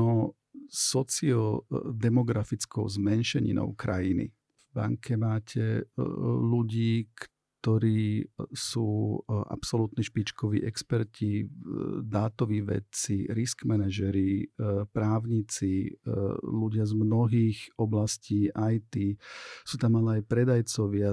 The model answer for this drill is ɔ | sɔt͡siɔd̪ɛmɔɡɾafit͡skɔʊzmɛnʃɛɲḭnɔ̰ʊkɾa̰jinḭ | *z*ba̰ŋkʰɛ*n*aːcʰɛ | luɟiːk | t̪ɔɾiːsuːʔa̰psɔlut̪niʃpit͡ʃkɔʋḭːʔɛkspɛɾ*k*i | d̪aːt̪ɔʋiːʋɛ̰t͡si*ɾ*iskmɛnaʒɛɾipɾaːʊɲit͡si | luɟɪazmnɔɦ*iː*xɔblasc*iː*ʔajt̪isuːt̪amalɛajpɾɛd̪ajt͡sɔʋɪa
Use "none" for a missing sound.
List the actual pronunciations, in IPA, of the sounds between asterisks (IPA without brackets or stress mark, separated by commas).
v, m, c, ɾ, iː, iː